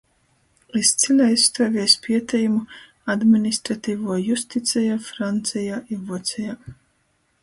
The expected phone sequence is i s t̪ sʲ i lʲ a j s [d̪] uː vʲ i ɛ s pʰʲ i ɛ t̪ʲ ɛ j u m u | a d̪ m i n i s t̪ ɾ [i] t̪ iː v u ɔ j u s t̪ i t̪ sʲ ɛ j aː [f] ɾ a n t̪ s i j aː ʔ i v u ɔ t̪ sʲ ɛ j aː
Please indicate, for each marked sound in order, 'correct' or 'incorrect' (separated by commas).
incorrect, incorrect, correct